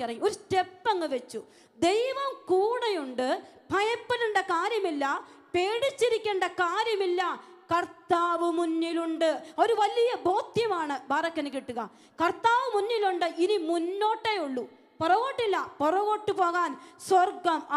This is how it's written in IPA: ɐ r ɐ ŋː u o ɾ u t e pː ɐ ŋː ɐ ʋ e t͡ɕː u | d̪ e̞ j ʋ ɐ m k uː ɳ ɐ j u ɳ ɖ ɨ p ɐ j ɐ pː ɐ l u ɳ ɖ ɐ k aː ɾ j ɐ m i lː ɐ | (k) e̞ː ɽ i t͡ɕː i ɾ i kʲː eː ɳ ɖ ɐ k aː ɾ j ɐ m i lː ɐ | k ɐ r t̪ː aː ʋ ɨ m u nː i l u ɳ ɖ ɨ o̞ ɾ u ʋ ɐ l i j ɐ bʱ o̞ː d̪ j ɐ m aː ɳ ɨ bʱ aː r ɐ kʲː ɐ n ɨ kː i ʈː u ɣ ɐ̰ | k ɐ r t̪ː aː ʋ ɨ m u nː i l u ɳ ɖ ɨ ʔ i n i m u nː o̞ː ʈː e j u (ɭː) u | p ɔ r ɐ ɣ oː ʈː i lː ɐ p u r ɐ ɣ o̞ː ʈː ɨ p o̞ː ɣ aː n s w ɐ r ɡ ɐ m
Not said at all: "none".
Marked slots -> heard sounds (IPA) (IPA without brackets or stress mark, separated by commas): p, ɭː